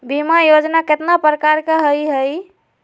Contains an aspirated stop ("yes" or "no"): no